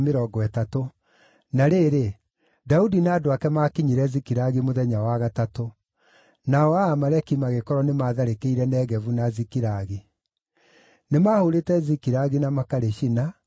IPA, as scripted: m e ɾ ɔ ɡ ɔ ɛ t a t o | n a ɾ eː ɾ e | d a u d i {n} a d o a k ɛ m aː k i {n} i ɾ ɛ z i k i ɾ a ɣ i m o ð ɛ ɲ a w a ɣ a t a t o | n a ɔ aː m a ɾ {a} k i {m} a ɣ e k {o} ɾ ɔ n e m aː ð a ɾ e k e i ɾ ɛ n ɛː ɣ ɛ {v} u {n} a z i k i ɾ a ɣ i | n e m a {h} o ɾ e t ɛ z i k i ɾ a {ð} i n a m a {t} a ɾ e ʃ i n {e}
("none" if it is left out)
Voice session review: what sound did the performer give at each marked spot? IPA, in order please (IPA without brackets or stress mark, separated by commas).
n, ɲ, ɛ, m, ɔ, v, n, h, ɣ, k, a